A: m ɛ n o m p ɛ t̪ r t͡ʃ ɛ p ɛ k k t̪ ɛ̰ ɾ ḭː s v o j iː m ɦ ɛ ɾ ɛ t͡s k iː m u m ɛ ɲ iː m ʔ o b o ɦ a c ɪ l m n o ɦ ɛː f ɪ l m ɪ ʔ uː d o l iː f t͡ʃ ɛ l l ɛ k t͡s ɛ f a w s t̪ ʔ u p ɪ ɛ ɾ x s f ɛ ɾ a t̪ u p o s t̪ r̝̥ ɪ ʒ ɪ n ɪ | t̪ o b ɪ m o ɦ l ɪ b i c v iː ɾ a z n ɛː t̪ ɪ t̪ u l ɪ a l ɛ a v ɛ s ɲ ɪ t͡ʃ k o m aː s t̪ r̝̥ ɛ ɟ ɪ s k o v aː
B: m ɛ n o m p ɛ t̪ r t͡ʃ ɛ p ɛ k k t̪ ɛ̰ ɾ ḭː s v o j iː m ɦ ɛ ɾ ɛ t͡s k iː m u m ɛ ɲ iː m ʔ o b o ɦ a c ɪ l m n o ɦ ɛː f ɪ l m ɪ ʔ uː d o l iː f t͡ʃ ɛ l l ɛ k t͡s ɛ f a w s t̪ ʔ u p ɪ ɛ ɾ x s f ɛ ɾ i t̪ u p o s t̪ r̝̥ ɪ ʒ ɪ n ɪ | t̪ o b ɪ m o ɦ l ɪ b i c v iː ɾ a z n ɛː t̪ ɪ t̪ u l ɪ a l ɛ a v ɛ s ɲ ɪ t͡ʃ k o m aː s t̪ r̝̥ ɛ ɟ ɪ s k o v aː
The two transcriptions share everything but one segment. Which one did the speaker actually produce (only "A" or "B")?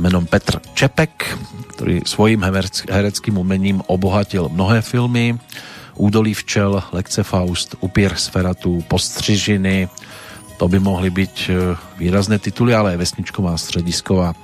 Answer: A